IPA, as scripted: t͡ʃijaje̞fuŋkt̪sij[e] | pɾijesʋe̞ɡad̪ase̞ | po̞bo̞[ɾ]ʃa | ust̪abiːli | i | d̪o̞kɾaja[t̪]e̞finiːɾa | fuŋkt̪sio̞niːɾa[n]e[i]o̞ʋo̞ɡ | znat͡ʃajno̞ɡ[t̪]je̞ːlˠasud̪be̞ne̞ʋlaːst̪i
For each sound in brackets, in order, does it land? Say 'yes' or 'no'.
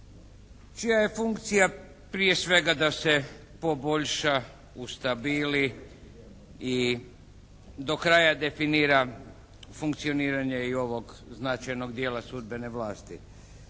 no, no, no, no, yes, no

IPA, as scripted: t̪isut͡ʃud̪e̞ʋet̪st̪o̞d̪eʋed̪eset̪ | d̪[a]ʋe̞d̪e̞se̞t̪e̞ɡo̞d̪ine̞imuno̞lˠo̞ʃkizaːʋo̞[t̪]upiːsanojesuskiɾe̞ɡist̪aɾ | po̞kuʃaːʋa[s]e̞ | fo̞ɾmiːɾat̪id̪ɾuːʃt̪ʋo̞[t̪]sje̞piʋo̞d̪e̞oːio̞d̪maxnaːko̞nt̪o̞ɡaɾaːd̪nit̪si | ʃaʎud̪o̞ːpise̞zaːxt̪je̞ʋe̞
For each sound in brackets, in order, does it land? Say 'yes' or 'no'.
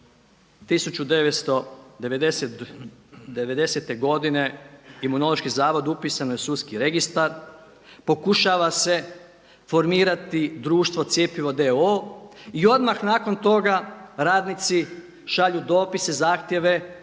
no, no, yes, yes

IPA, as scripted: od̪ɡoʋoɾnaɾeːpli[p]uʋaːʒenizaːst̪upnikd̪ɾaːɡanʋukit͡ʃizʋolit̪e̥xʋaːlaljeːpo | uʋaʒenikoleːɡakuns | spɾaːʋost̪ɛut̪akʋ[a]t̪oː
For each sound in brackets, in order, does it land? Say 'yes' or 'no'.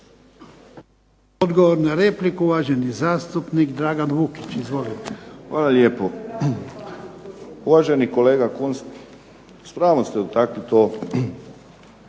no, no

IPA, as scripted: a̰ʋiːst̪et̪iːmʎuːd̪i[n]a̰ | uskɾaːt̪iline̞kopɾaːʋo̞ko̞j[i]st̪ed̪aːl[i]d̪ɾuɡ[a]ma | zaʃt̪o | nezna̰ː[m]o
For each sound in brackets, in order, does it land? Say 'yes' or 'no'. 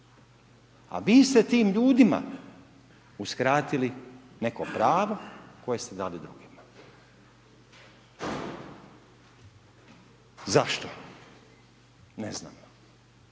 no, no, yes, no, yes

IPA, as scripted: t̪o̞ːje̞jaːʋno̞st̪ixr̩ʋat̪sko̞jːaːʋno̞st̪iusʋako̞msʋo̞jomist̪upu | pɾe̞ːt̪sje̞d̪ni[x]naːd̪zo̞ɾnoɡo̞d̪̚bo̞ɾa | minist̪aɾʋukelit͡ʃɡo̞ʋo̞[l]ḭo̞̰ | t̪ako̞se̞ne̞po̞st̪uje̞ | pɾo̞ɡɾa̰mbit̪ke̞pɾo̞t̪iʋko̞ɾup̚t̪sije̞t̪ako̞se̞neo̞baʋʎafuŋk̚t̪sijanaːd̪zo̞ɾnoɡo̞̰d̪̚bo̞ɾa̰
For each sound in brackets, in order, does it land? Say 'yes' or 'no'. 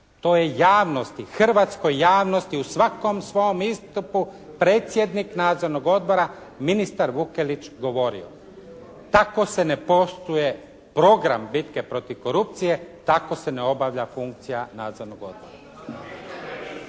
no, no

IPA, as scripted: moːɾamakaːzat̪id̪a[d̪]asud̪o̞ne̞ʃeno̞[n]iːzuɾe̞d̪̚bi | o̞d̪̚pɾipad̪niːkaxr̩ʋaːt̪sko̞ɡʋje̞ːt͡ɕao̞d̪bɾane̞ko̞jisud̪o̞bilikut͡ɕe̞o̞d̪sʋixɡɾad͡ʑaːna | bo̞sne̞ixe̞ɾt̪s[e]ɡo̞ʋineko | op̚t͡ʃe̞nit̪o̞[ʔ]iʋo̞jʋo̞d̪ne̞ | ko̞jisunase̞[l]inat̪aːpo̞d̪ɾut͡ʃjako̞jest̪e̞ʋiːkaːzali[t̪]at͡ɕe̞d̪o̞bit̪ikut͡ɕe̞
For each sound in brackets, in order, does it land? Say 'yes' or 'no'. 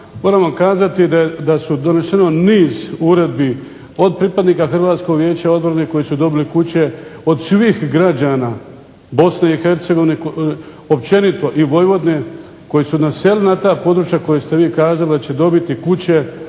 yes, yes, yes, yes, yes, no

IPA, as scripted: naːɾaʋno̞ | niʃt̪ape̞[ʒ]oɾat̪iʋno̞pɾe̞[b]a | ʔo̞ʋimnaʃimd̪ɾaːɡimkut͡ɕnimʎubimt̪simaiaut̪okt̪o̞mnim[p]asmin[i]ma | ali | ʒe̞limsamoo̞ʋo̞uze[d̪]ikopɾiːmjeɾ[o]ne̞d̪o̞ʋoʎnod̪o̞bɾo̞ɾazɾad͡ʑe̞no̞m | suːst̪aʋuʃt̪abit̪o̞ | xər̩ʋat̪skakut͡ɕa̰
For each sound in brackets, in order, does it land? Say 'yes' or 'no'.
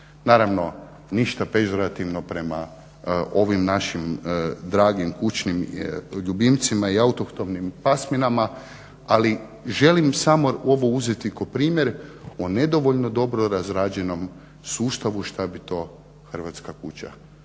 yes, no, yes, no, no, yes

